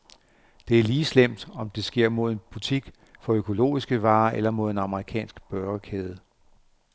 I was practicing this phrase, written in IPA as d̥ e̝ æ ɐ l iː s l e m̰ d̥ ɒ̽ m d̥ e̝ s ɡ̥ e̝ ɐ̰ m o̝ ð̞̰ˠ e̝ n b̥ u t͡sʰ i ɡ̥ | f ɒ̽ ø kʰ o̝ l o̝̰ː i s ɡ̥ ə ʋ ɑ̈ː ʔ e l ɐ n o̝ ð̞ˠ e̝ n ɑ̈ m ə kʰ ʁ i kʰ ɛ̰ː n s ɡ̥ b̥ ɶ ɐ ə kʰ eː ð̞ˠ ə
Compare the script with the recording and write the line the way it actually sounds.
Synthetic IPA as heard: d̥ e̝ æ ɐ l iː s l e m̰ d̥ ɒ̽ m d̥ e̝ s ɡ̥ e̝ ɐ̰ m o̝ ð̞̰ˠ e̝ n b̥ u t͡sʰ i ɡ̥ | f ɒ̽ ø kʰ o̝ l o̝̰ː i s ɡ̥ ə ʋ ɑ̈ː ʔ e l ɐ m o̝ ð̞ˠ e̝ n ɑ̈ m ə ʁ i kʰ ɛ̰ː n s ɡ̥ b̥ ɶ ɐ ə kʰ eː ð̞ˠ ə

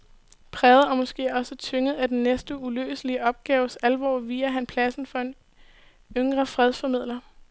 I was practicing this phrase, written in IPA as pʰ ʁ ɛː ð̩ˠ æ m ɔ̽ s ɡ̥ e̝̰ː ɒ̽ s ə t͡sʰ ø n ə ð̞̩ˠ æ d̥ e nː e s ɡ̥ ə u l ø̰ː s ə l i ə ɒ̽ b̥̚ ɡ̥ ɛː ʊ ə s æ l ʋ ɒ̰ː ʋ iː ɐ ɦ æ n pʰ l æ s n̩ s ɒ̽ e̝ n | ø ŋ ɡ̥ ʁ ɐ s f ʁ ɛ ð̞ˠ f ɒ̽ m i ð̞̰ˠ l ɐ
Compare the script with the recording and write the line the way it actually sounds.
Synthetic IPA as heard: pʰ ʁ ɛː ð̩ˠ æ m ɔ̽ s ɡ̥ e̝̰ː ɒ̽ s ə t͡sʰ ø ŋ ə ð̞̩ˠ æ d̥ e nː e s d̥ ə u l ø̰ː s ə l i ə ɒ̽ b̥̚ ɡ̥ ɛː ʊ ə s æ l ʋ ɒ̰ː ʋ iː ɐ ɦ æ n pʰ l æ s n̩ f ɒ̽ e̝ n | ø ŋ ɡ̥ ʁ ɐ f ʁ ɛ ð̞ˠ f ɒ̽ m i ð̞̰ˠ l ɐ

